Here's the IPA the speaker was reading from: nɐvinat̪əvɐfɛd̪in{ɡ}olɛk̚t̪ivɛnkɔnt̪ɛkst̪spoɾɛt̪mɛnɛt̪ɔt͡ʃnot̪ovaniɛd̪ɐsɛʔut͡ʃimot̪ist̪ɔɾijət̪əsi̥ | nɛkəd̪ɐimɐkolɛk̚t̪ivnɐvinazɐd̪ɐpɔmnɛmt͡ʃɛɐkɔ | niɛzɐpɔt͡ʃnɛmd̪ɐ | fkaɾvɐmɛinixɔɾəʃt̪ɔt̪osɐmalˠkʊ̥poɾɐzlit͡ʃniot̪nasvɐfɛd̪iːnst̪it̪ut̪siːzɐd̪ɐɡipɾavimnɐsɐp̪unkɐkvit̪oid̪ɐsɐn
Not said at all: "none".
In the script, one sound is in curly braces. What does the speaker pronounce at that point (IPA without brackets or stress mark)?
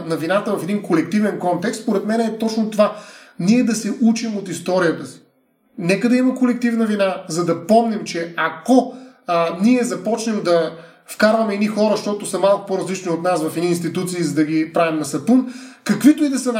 k